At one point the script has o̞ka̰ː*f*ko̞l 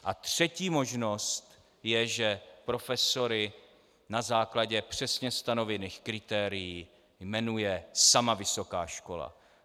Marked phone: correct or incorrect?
incorrect